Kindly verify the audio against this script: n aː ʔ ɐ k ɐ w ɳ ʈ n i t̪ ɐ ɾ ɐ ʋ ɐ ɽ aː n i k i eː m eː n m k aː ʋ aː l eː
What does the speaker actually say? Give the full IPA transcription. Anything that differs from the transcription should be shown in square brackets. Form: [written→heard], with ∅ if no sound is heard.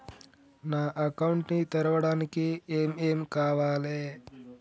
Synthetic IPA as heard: n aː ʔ ɐ k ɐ w ɳ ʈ n i t̪ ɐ ɾ ɐ ʋ ɐ ɽ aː n i k i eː m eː [n→∅] m k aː ʋ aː l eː